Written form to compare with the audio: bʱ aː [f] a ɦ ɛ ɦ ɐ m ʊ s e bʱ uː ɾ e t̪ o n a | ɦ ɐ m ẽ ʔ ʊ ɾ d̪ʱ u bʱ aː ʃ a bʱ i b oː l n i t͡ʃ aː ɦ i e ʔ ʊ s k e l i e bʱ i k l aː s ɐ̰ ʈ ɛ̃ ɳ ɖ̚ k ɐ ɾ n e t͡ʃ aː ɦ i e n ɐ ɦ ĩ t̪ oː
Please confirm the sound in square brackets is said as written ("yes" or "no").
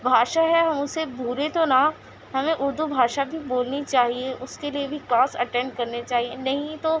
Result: no